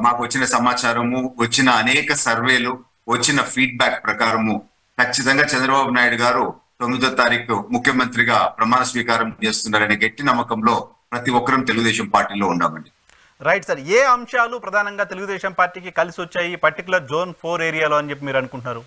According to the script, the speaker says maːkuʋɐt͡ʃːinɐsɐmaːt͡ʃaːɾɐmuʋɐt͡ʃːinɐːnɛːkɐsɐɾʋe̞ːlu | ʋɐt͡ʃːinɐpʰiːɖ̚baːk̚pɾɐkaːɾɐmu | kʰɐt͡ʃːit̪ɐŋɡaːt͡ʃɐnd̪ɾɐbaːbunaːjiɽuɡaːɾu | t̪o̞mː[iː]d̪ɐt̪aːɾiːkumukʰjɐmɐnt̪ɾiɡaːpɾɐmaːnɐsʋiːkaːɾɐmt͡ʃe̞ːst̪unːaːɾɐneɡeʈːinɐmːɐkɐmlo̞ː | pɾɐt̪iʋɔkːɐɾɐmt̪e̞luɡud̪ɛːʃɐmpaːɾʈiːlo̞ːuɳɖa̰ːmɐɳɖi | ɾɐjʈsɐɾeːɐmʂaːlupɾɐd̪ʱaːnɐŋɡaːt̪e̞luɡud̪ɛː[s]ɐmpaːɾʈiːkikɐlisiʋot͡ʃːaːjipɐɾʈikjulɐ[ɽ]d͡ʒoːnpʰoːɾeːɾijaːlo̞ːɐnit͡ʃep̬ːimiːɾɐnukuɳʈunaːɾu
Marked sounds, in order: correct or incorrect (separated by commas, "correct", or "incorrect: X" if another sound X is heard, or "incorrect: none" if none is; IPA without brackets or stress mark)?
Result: incorrect: i, incorrect: ʃ, incorrect: ɾ